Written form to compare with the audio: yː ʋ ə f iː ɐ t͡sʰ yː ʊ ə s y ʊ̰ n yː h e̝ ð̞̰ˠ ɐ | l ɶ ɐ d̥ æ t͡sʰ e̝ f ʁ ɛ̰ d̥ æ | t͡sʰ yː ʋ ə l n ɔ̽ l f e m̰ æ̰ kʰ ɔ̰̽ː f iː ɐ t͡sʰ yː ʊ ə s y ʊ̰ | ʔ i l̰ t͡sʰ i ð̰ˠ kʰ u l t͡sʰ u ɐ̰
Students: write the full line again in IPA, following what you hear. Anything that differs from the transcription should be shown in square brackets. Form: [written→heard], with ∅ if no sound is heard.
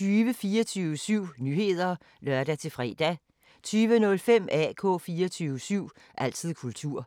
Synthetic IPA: yː ʋ ə f iː ɐ t͡sʰ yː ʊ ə s y ʊ̰ n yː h e̝ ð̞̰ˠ ɐ | l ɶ ɐ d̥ æ t͡sʰ e̝ f ʁ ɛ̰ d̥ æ | t͡sʰ yː ʋ ə [l→∅] n ɔ̽ l f e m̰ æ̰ kʰ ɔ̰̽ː f iː ɐ t͡sʰ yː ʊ ə s y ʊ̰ | ʔ [i→æ] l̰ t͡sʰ i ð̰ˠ kʰ u l t͡sʰ u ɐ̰

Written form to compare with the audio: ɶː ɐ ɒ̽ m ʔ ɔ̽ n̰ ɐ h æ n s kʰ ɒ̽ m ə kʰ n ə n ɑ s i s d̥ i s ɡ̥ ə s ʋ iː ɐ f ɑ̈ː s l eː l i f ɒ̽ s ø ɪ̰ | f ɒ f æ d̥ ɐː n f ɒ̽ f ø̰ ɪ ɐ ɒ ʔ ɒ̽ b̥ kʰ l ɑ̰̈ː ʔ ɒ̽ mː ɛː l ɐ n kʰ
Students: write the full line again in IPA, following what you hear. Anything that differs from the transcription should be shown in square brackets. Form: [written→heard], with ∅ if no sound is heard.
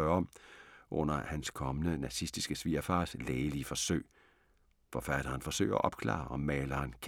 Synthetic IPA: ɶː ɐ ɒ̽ m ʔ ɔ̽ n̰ ɐ h æ n s kʰ ɒ̽ m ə [kʰ→∅] n ə n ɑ s i s d̥ i s ɡ̥ ə s ʋ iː ɐ f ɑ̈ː s l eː l i f ɒ̽ s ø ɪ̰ | f ɒ f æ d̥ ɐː n f ɒ̽ [f→s] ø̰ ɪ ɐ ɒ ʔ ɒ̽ b̥ kʰ l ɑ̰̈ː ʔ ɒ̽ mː ɛː l ɐ n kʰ

